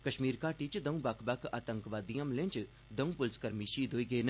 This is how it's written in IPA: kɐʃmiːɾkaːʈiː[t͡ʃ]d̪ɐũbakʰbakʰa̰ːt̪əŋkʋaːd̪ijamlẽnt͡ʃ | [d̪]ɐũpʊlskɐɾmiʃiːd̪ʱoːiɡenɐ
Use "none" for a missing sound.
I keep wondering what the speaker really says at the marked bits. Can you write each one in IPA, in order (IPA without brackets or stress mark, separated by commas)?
t͡ʃ, d̪